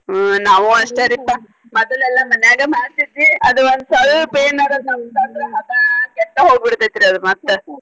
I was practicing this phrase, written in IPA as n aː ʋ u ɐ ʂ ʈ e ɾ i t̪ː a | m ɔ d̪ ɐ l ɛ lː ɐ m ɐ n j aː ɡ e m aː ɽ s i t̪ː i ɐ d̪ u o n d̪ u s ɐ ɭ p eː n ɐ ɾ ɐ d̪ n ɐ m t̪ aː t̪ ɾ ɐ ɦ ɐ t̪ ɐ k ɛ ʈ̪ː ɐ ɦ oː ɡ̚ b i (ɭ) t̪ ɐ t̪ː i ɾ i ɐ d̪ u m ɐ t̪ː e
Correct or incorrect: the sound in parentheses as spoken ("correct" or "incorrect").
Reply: incorrect